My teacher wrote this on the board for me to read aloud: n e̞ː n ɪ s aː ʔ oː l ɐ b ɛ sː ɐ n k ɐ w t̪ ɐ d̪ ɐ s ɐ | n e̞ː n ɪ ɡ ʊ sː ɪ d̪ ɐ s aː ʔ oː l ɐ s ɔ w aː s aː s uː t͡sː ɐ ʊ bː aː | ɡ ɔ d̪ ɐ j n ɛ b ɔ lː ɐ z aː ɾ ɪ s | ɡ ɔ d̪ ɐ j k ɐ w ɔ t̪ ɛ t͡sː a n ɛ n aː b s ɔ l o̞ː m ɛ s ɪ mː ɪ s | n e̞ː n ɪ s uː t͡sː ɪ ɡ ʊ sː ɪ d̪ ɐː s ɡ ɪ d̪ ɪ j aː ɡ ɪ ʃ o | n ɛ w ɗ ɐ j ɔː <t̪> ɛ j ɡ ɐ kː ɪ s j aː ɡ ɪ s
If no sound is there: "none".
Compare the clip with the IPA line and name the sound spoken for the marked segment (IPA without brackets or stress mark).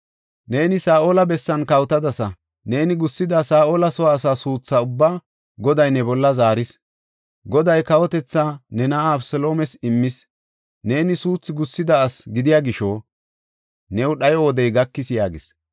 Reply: d̪